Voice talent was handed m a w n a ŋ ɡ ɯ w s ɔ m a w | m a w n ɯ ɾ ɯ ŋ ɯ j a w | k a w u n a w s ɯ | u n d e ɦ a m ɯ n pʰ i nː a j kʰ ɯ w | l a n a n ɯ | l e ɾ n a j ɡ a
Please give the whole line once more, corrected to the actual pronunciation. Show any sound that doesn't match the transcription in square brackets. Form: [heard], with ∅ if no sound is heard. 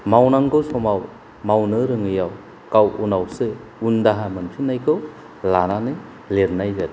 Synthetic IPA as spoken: m a w n a ŋ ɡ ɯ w s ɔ m a w | m a w n ɯ ɾ ɯ ŋ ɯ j a w | k a w u n a w s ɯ | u n d [a] ɦ a m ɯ n pʰ i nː a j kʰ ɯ w | l a n a n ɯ | l e ɾ n a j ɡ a